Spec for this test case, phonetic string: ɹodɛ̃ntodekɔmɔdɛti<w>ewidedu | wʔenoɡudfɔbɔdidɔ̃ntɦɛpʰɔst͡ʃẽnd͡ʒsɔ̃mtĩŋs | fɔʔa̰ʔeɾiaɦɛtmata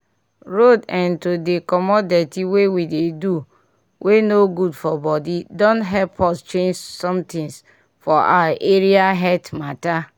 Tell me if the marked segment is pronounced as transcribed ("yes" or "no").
yes